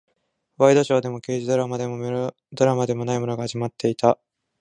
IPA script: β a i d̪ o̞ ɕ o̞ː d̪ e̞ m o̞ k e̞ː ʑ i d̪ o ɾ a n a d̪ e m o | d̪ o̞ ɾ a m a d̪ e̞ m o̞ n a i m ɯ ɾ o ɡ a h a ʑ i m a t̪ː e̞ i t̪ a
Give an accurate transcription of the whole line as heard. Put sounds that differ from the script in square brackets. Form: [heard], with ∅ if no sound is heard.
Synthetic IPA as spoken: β a i d̪ o̞ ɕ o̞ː d̪ e̞ m o̞ k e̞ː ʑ i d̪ o ɾ a [m] a d̪ e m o | d̪ o̞ ɾ a m a d̪ e̞ m o̞ n a i m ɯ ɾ o ɡ a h a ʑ i m a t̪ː e̞ i t̪ a